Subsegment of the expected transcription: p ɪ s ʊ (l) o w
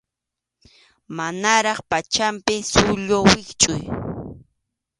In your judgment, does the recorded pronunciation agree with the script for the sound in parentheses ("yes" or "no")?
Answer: no